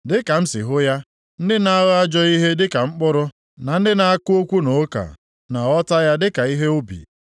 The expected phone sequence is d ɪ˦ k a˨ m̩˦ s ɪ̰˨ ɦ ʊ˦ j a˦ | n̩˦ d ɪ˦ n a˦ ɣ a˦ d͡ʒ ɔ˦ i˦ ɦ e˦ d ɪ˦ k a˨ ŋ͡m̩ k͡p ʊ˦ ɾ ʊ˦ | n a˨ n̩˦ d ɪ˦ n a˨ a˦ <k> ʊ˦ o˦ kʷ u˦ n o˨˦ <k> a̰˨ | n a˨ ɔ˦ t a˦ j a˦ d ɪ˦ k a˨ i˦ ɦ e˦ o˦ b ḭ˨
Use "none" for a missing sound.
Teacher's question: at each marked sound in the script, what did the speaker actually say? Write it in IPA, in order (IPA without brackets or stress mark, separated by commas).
k, k